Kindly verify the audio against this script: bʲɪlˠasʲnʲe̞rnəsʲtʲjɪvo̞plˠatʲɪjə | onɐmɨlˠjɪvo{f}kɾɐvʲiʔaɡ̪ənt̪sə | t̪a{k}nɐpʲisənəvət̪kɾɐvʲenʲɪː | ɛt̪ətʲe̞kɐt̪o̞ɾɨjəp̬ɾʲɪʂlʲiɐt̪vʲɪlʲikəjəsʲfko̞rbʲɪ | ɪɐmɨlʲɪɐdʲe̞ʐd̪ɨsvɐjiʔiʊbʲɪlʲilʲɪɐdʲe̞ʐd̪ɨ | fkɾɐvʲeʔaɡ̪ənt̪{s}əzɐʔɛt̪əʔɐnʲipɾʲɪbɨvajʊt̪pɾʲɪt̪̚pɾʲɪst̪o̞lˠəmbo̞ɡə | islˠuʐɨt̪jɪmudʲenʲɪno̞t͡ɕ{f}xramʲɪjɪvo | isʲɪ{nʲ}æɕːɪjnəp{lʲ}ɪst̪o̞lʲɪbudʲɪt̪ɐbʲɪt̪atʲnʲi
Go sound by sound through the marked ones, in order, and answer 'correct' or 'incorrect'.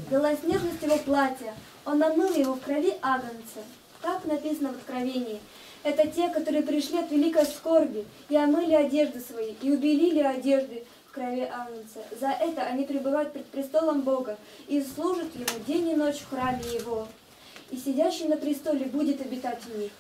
correct, correct, correct, correct, incorrect: dʲ, incorrect: ɾʲ

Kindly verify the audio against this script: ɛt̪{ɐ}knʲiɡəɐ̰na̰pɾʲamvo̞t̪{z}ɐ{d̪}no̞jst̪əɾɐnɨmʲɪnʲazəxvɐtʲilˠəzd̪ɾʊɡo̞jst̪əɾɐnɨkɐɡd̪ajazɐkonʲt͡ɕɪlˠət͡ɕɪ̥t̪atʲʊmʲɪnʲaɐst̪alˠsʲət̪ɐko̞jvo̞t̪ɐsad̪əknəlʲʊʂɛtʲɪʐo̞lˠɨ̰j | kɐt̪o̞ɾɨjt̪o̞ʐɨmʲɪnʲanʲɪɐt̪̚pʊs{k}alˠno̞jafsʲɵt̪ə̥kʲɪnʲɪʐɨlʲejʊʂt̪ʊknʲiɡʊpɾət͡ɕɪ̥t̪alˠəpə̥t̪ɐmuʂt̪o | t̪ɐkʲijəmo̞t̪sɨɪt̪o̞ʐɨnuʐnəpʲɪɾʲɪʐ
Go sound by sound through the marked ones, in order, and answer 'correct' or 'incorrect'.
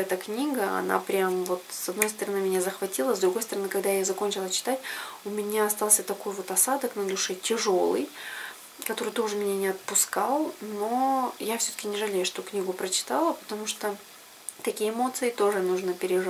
incorrect: ə, incorrect: s, correct, correct

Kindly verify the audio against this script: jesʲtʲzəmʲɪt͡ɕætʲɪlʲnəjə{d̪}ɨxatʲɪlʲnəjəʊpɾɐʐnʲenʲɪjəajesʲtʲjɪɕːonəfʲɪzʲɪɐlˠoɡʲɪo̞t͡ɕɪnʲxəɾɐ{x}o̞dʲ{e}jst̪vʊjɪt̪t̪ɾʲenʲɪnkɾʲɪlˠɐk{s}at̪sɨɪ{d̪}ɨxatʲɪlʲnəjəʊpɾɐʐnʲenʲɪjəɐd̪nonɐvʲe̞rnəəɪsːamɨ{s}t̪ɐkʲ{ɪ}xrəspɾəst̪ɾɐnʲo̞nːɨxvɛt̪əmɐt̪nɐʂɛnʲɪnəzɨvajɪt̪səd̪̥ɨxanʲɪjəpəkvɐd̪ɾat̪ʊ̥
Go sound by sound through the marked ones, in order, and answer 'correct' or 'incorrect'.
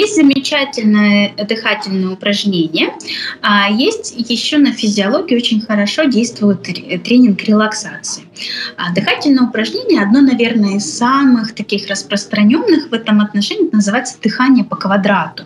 correct, incorrect: ʂ, correct, correct, correct, incorrect: x, incorrect: i

